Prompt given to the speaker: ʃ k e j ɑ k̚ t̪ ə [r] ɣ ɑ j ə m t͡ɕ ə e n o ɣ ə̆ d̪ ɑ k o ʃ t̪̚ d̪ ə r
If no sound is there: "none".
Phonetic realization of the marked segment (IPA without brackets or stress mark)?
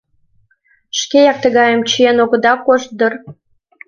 none